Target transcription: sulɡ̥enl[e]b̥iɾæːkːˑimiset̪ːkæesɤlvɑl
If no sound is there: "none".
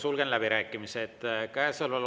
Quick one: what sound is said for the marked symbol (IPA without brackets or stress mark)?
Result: æ